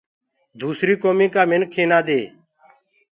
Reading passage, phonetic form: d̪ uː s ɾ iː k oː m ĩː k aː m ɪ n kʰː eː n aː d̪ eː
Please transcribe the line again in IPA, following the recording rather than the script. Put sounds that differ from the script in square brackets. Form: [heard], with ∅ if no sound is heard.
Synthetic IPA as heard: d̪ uː s ɾ iː k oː m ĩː k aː m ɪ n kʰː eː n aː d̪ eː